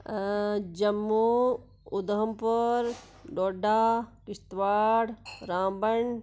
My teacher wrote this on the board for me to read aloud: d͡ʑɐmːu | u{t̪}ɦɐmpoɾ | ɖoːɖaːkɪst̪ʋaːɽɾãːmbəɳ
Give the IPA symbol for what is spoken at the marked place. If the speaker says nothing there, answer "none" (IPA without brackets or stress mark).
d̪